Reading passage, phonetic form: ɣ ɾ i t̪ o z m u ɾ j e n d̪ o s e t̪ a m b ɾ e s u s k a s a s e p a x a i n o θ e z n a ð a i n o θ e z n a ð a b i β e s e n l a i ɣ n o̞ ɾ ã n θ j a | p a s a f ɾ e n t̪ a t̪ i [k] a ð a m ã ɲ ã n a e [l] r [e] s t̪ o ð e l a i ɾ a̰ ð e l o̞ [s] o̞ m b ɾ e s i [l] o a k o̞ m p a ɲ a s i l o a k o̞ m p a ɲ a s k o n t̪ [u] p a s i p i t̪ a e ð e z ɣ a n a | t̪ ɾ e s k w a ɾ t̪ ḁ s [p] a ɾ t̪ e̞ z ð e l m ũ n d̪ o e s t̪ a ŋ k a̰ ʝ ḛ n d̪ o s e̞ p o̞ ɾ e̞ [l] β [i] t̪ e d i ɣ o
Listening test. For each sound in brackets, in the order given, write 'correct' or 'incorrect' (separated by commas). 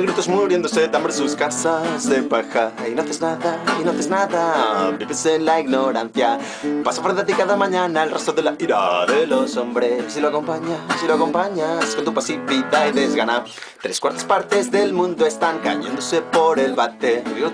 correct, correct, correct, correct, correct, correct, correct, correct, incorrect